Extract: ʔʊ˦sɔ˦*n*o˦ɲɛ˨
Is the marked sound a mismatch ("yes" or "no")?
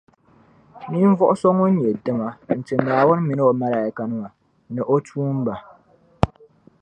yes